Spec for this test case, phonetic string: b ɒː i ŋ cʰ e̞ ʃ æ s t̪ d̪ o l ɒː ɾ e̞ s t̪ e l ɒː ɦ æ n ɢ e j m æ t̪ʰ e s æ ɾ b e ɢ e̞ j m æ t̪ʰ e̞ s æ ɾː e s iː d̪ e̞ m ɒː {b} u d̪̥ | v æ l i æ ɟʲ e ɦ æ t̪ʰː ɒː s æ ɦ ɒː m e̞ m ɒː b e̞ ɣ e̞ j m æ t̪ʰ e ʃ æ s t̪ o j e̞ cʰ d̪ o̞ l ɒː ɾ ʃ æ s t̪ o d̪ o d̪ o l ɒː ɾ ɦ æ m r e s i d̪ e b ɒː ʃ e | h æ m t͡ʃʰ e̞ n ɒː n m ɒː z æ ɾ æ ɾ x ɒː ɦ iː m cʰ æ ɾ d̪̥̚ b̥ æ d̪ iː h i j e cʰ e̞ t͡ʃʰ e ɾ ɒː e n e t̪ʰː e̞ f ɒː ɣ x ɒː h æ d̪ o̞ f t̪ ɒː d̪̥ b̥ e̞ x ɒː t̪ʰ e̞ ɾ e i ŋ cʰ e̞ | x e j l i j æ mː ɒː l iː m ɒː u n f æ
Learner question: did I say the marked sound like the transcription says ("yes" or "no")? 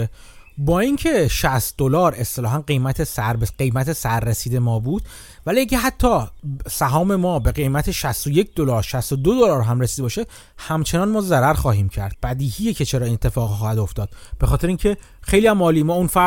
yes